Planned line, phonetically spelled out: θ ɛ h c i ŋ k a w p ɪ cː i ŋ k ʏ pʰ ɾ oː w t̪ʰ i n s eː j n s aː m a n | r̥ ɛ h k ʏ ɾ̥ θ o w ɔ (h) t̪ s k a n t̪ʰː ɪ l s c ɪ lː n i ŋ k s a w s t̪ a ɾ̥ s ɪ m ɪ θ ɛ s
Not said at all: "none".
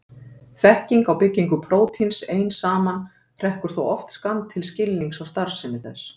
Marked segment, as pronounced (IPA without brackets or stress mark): f